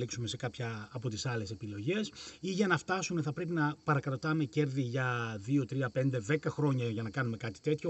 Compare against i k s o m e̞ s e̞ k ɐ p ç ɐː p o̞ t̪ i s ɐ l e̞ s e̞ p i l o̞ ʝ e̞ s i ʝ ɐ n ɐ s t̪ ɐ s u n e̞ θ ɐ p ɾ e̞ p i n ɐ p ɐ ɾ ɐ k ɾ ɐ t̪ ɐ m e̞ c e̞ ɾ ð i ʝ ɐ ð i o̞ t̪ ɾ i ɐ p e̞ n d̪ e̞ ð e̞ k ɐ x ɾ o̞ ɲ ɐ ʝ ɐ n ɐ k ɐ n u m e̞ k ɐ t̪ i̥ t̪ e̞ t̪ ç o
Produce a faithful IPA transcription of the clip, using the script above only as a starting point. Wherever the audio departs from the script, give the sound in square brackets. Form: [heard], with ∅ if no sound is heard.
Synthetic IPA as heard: i k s [u] m e̞ s e̞ k ɐ p ç ɐː p o̞ t̪ i s ɐ l e̞ s e̞ p i l o̞ ʝ e̞ s i ʝ ɐ n ɐ [f] t̪ ɐ s u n e̞ θ ɐ p ɾ e̞ p i n ɐ p ɐ ɾ ɐ k ɾ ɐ t̪ ɐ m e̞ c e̞ ɾ ð i ʝ ɐ ð i o̞ t̪ ɾ i ɐ p e̞ n d̪ e̞ ð e̞ k ɐ x ɾ o̞ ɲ ɐ ʝ ɐ n ɐ k ɐ n u m e̞ k ɐ t̪ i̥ t̪ e̞ t̪ ç o